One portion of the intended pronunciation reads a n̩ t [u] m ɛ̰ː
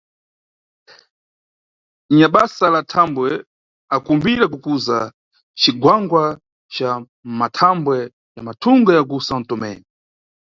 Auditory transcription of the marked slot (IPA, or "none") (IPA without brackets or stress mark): ɔ